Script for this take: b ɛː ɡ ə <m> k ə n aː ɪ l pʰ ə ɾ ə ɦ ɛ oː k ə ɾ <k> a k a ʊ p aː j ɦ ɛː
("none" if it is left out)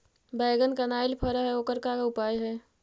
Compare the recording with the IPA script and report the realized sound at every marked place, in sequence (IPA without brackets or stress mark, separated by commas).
n, k